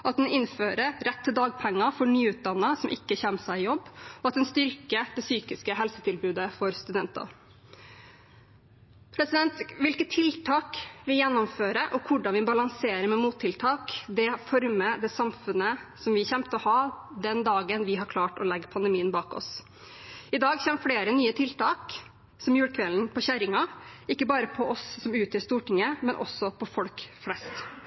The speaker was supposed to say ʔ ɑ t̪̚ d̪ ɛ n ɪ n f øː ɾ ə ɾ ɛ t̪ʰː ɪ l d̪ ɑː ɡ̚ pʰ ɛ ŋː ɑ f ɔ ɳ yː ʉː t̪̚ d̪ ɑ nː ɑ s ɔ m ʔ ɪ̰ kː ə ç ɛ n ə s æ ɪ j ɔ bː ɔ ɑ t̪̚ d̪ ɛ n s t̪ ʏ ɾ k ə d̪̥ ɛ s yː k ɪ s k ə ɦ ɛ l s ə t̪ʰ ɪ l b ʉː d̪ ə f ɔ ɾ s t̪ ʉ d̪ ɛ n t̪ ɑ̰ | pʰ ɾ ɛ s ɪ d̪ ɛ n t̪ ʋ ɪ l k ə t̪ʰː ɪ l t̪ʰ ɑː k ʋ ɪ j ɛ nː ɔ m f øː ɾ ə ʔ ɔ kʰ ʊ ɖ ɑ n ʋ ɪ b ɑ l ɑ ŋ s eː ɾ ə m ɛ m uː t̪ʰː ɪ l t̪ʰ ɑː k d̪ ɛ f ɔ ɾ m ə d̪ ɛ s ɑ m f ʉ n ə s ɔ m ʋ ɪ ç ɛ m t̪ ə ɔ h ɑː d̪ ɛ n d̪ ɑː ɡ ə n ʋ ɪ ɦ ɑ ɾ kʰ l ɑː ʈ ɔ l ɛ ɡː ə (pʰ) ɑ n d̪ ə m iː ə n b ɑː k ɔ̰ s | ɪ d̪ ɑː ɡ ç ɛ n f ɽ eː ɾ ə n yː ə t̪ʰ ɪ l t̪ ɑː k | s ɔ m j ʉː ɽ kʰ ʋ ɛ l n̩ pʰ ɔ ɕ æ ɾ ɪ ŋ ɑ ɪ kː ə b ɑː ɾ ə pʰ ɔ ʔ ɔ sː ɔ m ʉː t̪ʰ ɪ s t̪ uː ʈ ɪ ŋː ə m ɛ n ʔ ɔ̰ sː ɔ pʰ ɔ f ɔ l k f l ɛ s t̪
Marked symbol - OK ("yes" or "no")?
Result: yes